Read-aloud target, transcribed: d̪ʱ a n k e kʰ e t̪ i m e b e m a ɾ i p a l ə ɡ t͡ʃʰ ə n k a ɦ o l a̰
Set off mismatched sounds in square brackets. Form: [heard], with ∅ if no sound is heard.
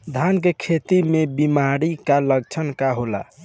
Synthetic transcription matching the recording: d̪ʱ a n k e kʰ e t̪ i m e b [i] m a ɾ i [k] a l ə ɡ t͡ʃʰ ə n k a ɦ o l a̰